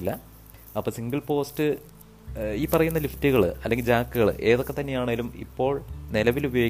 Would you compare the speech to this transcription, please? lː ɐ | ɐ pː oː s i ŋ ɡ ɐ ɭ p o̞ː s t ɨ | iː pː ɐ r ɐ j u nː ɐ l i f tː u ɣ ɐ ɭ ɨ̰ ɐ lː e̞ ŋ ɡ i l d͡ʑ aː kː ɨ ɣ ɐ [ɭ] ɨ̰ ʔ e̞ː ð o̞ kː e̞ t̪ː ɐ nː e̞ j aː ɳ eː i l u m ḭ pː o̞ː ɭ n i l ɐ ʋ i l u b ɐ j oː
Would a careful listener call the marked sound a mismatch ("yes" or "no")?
no